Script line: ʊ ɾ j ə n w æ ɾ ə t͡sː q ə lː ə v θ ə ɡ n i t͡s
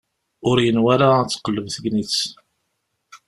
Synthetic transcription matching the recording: ʊ ɾ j ə n w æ ɾ a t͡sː q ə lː ə v θ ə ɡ n i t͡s